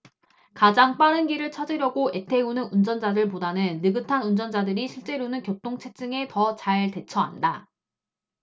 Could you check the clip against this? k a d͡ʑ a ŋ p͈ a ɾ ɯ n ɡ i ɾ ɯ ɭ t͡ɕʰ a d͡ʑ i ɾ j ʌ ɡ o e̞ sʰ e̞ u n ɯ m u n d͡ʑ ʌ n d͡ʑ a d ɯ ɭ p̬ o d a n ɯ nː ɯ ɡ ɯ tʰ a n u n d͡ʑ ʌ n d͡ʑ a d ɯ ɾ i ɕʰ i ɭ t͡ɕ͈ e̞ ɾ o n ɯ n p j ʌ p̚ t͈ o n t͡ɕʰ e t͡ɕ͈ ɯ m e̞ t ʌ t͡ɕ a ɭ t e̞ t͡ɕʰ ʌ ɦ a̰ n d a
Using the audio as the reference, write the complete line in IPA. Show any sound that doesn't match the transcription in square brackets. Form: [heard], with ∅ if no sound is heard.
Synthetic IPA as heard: k a d͡ʑ a ŋ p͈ a ɾ ɯ n ɡ i ɾ ɯ ɭ t͡ɕʰ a d͡ʑ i ɾ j ʌ ɡ o e̞ [tʰ] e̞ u n ɯ [n] u n d͡ʑ ʌ n d͡ʑ a d ɯ ɭ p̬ o d a n ɯ nː ɯ ɡ ɯ tʰ a n u n d͡ʑ ʌ n d͡ʑ a d ɯ ɾ i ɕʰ i ɭ t͡ɕ͈ e̞ ɾ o n ɯ n [k] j ʌ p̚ t͈ o [ŋ] t͡ɕʰ e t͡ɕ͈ ɯ [ŋ] e̞ t ʌ t͡ɕ a ɭ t e̞ t͡ɕʰ ʌ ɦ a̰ n d a